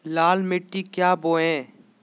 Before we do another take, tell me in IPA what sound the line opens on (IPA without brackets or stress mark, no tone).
l